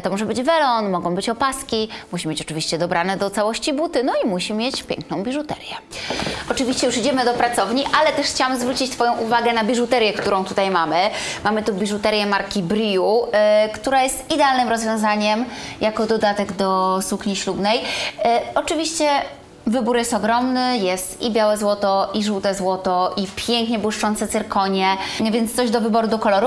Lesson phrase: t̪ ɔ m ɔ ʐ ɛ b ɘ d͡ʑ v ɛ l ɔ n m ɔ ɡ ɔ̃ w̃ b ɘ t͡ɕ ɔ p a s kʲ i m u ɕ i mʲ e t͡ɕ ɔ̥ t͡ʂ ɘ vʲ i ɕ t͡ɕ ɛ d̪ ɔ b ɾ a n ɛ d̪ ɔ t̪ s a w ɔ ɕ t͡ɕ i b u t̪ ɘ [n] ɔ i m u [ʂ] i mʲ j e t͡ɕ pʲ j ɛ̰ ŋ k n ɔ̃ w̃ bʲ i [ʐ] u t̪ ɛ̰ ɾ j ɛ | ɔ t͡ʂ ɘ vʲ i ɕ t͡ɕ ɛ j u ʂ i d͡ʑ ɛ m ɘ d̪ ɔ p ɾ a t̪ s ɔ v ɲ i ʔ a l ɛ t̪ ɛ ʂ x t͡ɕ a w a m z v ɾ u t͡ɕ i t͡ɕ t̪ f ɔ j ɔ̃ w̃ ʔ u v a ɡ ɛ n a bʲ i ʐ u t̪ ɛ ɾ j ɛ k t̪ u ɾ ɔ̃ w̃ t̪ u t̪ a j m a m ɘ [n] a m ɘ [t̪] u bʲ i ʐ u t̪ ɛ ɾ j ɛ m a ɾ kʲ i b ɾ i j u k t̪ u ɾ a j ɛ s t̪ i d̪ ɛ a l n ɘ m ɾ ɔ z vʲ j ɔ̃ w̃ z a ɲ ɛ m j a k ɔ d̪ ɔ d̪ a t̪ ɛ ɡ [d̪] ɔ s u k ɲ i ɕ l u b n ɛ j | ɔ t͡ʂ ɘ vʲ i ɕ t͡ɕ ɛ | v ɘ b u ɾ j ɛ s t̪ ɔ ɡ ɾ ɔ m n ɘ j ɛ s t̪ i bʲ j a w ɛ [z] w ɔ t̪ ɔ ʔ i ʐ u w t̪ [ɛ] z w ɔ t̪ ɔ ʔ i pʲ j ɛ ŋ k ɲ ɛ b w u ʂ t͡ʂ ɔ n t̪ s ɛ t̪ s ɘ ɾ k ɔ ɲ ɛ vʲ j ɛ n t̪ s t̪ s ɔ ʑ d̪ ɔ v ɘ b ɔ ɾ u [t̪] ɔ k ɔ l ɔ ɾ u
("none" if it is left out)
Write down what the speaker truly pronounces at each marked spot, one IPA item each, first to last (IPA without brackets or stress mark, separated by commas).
n, ɕ, ʐ, m, t̪, d̪, z, ɛ, d̪